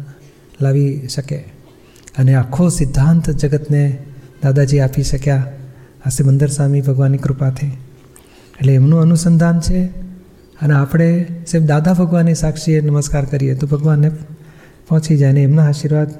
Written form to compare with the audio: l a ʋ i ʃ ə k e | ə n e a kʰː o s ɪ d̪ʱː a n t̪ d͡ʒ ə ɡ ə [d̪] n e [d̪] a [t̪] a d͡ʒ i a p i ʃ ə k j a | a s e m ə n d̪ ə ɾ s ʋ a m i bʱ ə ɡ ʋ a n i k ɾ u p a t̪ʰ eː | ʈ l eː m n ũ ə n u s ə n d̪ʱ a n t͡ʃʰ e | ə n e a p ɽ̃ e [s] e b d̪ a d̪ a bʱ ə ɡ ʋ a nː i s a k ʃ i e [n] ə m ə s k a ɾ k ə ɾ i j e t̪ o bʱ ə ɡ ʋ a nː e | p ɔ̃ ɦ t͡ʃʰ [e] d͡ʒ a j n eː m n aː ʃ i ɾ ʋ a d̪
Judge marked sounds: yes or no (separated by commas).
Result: no, yes, no, yes, yes, no